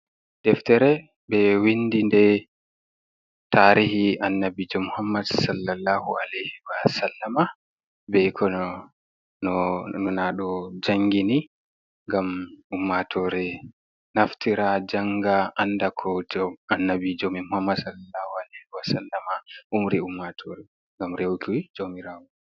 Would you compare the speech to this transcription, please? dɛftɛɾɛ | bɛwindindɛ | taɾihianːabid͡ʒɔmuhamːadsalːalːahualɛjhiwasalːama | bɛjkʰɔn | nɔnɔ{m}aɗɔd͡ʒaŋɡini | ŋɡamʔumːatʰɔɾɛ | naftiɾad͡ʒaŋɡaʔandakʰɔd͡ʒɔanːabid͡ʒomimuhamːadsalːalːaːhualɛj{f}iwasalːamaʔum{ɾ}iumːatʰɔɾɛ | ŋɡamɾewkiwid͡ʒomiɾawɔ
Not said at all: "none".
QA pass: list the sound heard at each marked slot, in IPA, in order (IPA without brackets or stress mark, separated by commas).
n, h, ɾ